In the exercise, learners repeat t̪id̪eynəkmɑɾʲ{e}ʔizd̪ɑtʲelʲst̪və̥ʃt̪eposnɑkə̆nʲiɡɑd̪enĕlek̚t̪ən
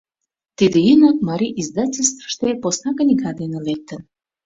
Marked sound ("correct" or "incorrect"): incorrect